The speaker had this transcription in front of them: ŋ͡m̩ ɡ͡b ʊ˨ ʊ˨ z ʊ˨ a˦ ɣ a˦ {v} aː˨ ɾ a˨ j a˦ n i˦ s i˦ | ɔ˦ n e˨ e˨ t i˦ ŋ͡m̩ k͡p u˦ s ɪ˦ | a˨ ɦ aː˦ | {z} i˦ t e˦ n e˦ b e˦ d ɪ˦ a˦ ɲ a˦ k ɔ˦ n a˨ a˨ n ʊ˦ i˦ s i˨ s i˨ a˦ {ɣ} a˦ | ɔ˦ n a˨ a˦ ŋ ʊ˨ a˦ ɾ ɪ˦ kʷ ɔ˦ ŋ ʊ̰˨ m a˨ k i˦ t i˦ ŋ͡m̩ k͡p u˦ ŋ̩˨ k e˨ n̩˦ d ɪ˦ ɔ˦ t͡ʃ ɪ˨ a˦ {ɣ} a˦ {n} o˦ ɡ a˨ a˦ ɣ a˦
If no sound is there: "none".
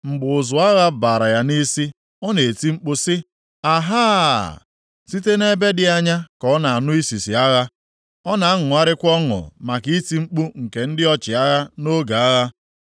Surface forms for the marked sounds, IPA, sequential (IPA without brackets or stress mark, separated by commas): b, s, ɣ, ɣ, n